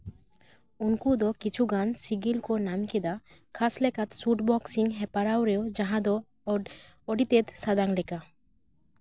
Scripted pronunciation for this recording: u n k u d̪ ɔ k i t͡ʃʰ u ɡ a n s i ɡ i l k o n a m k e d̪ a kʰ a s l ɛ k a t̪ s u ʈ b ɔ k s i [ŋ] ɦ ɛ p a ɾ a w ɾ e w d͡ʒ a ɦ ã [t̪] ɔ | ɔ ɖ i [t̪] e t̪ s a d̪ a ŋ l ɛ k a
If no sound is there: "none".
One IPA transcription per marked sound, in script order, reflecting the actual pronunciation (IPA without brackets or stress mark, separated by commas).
ŋ, d̪, t̪